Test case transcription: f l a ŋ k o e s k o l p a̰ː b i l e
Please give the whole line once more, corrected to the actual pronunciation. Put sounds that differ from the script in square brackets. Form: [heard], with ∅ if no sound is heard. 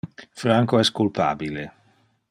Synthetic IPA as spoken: f [ɾ] a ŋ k o [ɛ] s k [u] l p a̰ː b i l e